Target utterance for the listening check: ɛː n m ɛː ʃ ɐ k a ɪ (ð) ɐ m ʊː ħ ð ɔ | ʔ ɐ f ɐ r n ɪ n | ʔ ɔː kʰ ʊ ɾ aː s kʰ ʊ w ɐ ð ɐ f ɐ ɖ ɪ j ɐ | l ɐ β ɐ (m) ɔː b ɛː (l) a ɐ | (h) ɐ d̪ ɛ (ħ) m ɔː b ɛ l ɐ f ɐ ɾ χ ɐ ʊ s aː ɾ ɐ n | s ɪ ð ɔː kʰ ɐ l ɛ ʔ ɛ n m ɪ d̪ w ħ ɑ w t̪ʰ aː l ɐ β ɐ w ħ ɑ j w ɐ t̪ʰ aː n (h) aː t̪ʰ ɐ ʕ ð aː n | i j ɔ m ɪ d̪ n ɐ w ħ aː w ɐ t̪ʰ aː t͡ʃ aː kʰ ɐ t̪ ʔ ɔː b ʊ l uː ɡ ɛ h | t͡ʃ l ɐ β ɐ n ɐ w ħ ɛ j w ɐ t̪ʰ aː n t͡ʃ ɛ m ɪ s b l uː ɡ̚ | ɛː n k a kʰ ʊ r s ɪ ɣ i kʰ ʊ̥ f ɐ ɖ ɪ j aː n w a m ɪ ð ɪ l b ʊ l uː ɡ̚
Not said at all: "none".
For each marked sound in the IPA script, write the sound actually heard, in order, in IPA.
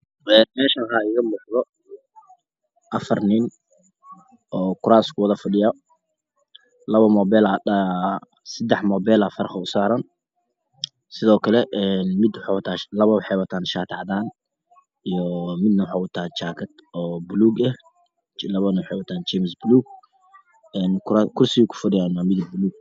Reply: ɣ, m, l, s, ħ, ʃ

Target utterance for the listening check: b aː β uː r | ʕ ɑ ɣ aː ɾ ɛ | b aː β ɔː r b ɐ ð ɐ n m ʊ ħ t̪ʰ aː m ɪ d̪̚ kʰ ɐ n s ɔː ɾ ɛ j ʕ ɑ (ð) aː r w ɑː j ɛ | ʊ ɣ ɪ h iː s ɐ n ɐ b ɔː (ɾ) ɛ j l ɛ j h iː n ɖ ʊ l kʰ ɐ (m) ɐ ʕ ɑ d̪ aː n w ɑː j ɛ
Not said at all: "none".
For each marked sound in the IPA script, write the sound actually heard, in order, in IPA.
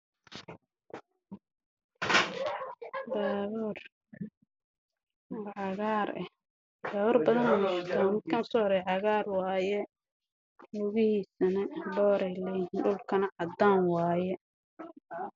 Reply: ɣ, ɾ, n

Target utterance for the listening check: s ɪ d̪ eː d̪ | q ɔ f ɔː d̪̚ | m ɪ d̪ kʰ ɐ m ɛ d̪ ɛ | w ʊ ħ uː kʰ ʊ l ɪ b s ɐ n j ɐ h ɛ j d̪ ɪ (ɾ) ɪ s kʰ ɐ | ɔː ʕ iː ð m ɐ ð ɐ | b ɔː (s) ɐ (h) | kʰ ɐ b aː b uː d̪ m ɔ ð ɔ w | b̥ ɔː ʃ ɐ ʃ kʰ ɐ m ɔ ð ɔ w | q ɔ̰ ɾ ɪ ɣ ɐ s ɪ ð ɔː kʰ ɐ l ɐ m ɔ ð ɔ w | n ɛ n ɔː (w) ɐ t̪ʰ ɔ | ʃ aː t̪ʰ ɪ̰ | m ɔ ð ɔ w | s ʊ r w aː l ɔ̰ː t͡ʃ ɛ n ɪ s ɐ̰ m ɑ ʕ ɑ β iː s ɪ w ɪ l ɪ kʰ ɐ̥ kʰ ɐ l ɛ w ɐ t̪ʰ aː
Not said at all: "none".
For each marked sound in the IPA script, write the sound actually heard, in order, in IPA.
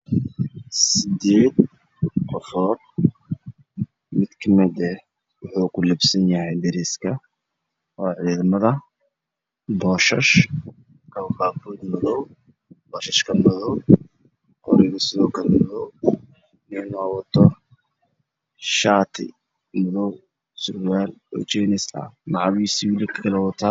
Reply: ɾ, ʃ, ʃ, w

